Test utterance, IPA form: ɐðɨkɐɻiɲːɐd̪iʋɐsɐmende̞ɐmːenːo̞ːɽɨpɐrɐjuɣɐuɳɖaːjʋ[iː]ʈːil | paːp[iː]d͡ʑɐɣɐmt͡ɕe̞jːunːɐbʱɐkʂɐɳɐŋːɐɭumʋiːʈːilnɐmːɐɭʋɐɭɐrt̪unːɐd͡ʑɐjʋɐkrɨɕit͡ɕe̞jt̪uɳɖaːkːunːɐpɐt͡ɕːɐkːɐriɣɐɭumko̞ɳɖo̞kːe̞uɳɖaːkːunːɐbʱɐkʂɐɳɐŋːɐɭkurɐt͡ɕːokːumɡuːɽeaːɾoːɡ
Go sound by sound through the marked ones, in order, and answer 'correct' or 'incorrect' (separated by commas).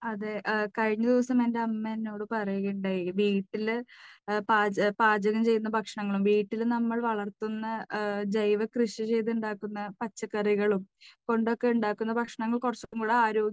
correct, incorrect